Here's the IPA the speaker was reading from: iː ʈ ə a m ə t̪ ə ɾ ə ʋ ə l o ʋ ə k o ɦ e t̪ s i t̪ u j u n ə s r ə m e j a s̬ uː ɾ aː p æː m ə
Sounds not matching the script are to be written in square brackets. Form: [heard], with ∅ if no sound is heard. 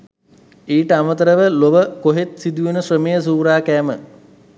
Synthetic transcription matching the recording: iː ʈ ə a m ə t̪ ə ɾ ə ʋ ə l o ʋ ə k o ɦ e t̪ s i [d̪] u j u n ə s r ə m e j [ə] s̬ uː ɾ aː [k] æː m ə